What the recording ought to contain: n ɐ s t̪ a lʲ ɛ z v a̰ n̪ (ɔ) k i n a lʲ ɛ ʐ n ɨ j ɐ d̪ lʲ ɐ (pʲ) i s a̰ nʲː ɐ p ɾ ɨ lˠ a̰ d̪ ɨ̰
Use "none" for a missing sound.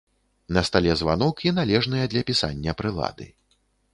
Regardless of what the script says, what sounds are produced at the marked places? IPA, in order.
ɔ, pʲ

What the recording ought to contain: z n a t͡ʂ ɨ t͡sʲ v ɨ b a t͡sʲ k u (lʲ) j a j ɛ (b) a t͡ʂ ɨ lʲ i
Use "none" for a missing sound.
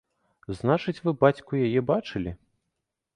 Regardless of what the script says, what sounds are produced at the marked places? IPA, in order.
none, b

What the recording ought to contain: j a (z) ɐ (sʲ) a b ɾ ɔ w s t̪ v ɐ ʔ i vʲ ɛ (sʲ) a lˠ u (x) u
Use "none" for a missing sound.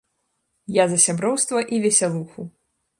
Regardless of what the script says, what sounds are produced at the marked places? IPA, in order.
z, sʲ, sʲ, x

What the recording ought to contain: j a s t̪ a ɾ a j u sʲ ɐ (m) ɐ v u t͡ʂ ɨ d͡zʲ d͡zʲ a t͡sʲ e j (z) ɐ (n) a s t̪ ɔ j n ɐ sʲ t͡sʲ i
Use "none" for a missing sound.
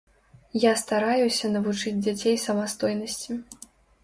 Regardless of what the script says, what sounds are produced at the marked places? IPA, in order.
n, s, m

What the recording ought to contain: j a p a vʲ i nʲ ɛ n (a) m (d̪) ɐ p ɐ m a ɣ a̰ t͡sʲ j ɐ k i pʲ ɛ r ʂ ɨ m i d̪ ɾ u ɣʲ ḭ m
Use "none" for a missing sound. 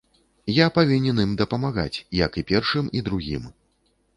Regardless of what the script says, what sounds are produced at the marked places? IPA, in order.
i, d̪

